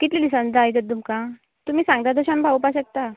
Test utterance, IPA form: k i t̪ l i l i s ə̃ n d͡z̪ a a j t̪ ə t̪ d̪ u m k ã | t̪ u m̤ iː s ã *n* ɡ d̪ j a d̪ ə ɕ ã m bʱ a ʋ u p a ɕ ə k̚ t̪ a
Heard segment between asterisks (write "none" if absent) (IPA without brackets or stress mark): ŋ